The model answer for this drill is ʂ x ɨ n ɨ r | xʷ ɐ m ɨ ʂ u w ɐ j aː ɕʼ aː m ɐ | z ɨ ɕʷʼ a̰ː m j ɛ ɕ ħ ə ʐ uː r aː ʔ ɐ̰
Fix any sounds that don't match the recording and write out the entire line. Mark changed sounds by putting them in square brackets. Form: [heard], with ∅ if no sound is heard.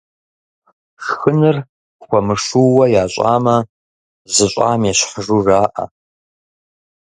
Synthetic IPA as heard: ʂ x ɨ n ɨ r | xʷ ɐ m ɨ ʂ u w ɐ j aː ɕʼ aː m ɐ | z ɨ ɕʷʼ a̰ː m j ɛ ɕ ħ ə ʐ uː r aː ʔ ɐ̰